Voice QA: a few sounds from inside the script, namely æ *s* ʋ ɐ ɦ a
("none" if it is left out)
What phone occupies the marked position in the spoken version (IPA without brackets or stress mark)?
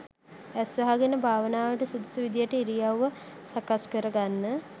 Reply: s